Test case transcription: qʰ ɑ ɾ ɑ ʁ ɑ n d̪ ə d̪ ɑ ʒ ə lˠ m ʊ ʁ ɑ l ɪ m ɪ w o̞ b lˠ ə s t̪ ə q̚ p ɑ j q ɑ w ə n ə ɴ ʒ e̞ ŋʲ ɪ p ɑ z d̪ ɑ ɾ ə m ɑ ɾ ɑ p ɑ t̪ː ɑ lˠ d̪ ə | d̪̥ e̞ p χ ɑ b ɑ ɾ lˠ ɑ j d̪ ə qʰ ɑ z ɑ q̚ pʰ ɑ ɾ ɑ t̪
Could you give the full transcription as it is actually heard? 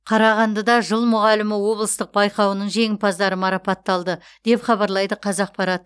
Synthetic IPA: qʰ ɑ ɾ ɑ ʁ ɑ n d̪ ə d̪ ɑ ʒ ə lˠ m ʊ ʁ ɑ l ɪ m ɪ w o̞ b lˠ ə s t̪ ə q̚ b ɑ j q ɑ w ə n ə ɴ ʒ e̞ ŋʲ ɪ p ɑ z d̪ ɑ ɾ ə m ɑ ɾ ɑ p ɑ t̪ː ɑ lˠ d̪ ə | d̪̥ e̞ p χ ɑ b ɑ ɾ lˠ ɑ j d̪ ə qʰ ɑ z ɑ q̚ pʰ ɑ ɾ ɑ t̪